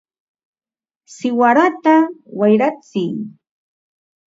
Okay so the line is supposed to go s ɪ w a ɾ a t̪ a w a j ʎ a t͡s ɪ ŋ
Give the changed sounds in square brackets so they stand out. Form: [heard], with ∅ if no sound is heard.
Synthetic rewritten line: s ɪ w a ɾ a t̪ a w a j [ɾ] a t͡s ɪ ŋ